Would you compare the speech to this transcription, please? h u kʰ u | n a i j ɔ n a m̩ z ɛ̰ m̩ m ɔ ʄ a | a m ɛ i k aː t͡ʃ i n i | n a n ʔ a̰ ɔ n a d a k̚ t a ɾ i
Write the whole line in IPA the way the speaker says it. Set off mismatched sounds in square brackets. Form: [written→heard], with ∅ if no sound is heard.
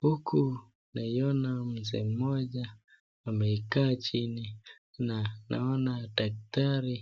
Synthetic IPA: h u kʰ u | n a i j ɔ n a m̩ z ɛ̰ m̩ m ɔ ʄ a | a m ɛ i k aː t͡ʃ i n i | n a n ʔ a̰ ɔ n a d a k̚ t a ɾ i